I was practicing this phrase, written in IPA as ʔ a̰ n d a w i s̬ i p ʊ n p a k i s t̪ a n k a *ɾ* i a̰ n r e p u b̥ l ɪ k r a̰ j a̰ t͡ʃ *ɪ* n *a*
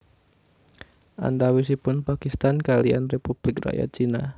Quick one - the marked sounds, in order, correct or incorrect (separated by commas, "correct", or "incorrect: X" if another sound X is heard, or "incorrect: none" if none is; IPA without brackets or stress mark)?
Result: incorrect: l, incorrect: i, correct